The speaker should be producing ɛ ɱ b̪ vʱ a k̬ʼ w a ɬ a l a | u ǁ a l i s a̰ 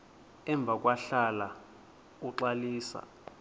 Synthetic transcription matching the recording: ɛ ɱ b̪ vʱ a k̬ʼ w a ɬ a l a | u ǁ a l iː s a̰